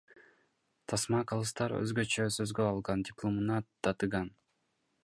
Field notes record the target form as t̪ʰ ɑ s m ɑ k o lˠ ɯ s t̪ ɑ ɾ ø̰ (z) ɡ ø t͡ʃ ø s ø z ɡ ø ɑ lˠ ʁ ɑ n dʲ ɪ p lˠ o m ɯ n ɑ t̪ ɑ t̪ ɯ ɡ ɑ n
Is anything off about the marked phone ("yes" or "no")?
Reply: no